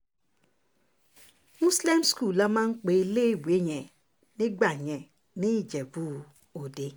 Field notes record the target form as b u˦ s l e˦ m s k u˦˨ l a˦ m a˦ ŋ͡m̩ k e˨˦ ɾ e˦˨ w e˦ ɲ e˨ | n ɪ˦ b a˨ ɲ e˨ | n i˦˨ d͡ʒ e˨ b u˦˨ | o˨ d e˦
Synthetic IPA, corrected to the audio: m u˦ s l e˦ m s k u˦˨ l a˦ m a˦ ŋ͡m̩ k͡p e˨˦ l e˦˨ w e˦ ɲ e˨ | n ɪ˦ ɡ͡b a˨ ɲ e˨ | n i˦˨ d͡ʒ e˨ b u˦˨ | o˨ d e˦